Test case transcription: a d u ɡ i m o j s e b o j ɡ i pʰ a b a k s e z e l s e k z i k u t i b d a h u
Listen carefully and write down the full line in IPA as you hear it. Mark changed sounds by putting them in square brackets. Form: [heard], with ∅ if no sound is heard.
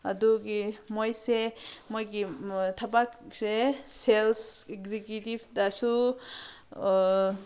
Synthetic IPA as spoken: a d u ɡ i m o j s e [m] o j ɡ i [tʰ] a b a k s e [s] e l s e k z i k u t i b d a [s] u